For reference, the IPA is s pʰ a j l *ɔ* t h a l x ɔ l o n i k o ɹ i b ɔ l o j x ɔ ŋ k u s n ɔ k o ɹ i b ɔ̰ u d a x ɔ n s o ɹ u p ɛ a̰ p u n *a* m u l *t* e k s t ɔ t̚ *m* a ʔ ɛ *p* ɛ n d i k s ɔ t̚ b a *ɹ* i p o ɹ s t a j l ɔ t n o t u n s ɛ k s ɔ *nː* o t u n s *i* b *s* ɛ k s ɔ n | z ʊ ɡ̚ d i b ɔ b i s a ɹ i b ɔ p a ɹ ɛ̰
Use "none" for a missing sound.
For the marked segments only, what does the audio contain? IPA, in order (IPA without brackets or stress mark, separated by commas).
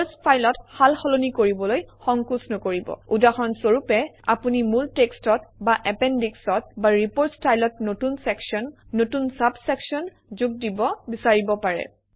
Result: ɔ, i, t, b, p, ɹ, nː, a, s